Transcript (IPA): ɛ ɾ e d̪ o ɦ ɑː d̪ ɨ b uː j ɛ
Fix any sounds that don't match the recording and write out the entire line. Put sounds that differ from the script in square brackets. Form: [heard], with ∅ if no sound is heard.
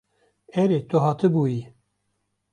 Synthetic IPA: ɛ ɾ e [t̪] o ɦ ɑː [t̪] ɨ b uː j [i]